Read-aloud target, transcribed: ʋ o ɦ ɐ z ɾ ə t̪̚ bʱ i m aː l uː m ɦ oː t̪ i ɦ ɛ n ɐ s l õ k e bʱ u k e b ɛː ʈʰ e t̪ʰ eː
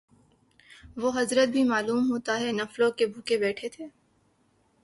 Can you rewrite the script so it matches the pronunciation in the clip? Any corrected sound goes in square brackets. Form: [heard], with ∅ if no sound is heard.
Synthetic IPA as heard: ʋ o ɦ ɐ z ɾ ə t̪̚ bʱ i m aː l uː m ɦ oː t̪ [a] ɦ ɛ n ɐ [f] l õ k e bʱ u k e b ɛː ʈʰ e t̪ʰ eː

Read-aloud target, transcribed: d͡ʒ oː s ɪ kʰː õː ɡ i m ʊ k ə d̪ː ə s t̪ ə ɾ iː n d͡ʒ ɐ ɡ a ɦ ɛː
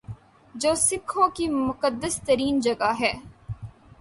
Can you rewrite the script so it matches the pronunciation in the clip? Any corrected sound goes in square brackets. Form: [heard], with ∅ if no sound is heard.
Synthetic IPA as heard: d͡ʒ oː s ɪ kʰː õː [k] i m ʊ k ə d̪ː ə s t̪ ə ɾ iː n d͡ʒ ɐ ɡ a ɦ ɛː

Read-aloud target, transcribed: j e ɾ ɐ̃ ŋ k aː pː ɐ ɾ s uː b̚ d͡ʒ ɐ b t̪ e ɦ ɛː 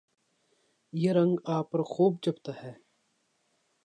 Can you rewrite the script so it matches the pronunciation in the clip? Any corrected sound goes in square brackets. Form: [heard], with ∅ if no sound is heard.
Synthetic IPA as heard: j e ɾ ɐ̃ ŋ [ɡ] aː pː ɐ ɾ [x] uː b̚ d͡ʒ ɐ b t̪ [a] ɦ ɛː

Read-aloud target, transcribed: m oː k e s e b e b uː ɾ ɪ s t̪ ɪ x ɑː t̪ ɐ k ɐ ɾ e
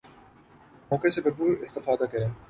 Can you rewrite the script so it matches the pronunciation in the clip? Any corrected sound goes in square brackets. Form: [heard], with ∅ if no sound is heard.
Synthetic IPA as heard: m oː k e s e b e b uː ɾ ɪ s t̪ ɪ [f] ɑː [d̪] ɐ k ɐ ɾ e

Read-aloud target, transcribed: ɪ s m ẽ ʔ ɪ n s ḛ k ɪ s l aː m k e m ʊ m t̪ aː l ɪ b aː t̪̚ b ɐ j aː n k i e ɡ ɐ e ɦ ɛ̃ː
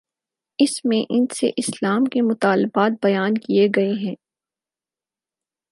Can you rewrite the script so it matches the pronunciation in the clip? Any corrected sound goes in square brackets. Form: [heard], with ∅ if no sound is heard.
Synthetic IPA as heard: ɪ s m ẽ ʔ ɪ n s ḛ [ʔ] ɪ s l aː m k e m ʊ [∅] t̪ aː l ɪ b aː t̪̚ b ɐ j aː n k i e ɡ ɐ e ɦ ɛ̃ː

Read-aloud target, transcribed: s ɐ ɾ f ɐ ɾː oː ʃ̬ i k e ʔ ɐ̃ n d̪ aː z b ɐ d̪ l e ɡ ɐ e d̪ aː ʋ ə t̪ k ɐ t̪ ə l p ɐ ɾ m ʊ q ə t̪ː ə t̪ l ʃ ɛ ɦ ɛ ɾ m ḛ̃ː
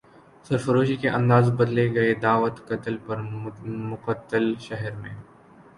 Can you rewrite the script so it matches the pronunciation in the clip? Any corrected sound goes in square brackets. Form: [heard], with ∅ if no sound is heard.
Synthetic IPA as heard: s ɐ ɾ f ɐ [ɾ] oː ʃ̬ i k e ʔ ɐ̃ n d̪ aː z b ɐ d̪ l e ɡ ɐ e d̪ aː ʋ ə t̪ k ɐ t̪ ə l p ɐ ɾ m ʊ q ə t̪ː ə [∅] l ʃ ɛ ɦ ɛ ɾ m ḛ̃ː

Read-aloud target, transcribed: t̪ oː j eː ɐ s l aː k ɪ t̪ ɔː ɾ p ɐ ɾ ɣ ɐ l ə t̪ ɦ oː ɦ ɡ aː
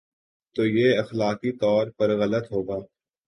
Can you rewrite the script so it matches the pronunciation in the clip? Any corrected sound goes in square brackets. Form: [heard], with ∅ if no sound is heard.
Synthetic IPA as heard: t̪ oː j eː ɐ [x] l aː k [i] t̪ ɔː ɾ p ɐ ɾ ɣ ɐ l ə t̪ ɦ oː [∅] ɡ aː

